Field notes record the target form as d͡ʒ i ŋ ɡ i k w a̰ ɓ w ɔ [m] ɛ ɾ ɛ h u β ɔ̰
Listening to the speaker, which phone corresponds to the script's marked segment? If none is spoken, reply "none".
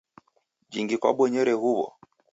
ɲ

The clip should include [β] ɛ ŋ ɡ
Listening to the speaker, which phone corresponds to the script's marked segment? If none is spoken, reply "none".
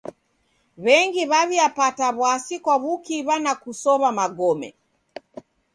β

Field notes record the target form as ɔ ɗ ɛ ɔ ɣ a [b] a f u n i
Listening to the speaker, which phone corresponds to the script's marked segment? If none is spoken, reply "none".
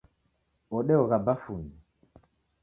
b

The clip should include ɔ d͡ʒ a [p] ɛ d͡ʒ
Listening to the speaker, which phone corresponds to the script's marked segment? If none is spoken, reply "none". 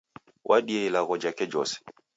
k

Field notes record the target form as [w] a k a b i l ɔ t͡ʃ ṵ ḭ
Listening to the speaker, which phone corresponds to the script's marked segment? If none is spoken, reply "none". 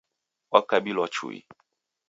w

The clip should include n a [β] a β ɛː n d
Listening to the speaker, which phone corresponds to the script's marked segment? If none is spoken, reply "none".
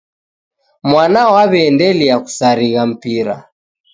w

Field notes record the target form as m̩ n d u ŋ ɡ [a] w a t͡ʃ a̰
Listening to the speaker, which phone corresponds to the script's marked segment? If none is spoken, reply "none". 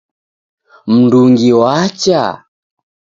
i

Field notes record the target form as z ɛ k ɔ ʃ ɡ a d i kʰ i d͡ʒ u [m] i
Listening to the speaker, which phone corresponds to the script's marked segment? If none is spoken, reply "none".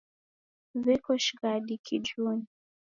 n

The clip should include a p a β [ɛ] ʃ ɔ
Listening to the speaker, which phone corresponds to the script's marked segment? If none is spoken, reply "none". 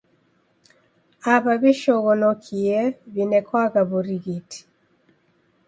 i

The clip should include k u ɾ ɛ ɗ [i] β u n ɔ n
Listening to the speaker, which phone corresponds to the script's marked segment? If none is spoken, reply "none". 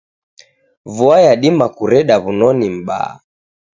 a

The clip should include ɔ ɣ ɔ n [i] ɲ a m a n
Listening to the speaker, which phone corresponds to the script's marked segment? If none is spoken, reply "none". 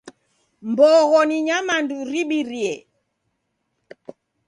i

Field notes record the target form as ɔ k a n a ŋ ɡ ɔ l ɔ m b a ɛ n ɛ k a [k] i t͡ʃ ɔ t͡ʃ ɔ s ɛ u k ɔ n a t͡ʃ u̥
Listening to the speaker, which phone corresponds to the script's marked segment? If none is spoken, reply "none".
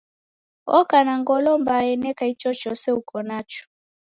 none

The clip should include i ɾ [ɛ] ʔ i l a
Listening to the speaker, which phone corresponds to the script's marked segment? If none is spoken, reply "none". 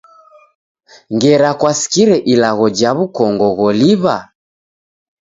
ɛ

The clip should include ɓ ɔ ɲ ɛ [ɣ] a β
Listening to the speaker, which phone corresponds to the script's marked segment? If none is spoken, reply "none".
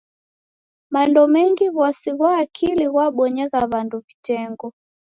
ɣ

